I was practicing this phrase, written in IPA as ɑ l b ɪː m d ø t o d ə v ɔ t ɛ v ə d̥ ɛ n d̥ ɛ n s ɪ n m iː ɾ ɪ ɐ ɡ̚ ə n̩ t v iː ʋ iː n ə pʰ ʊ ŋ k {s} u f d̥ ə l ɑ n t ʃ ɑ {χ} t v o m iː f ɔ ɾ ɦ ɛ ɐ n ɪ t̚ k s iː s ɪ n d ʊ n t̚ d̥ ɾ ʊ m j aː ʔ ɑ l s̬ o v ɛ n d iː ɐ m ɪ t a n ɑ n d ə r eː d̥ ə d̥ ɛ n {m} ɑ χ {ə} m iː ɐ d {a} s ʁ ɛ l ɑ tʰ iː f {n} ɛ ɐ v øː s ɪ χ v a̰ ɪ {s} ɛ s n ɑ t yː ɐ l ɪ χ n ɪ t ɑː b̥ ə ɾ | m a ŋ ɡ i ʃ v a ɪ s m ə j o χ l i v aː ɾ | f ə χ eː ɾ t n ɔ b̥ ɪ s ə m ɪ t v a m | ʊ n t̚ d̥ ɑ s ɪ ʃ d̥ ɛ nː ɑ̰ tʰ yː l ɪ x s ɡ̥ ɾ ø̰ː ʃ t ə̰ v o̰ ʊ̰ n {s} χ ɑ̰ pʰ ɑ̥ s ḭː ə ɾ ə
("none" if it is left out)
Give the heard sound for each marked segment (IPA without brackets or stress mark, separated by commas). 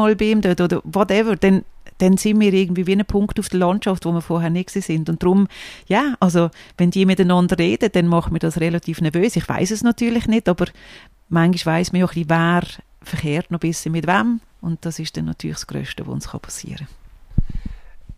t, f, m, ə, ɑ, n, s, s